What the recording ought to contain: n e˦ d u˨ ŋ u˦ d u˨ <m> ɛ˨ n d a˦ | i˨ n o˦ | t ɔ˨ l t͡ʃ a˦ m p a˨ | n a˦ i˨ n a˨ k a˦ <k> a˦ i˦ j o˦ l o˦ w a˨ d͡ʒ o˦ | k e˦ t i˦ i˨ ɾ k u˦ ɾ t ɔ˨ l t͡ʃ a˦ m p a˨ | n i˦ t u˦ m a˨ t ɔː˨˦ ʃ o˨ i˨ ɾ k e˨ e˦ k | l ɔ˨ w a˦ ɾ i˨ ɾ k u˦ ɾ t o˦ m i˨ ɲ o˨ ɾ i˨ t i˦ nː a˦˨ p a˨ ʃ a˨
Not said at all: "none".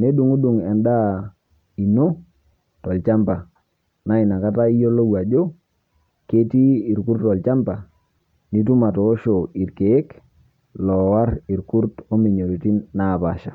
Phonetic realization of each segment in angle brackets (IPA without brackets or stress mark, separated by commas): ŋ, t